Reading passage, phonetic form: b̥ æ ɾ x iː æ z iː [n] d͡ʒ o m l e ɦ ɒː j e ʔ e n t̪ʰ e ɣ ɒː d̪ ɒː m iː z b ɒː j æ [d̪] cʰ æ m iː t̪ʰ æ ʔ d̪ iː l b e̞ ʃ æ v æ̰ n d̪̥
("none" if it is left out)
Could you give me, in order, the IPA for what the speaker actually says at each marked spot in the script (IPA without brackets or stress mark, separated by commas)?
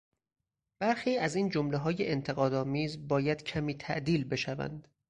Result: n, d̪